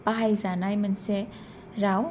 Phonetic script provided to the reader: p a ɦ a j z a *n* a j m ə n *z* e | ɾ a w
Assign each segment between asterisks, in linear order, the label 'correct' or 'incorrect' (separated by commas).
correct, incorrect